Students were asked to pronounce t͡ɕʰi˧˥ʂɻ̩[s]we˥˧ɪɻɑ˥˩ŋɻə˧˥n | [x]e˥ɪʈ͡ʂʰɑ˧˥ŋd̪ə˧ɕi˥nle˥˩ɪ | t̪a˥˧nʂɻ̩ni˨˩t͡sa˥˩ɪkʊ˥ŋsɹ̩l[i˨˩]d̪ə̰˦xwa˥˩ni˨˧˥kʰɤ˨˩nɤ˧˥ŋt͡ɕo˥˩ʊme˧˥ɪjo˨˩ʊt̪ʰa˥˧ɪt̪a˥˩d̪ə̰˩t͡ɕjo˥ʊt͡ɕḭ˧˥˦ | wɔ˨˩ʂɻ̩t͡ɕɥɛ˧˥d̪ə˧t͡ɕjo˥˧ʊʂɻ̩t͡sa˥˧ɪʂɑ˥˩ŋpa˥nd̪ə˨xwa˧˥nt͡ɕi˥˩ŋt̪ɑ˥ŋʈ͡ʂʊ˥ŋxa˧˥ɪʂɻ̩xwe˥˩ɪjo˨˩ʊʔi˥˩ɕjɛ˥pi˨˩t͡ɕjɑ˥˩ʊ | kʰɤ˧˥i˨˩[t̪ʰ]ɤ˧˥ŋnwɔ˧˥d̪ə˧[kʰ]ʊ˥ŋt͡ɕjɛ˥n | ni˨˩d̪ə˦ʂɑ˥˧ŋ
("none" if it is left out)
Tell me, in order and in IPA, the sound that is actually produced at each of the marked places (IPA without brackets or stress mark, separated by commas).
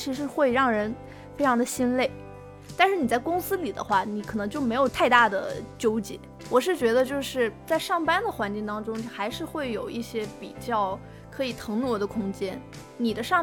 x, f, i˨˩, t̪ʰ, kʰ